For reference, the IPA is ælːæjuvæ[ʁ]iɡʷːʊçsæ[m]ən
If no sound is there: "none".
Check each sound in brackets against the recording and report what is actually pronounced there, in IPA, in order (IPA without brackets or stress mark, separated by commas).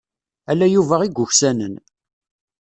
ʁ, n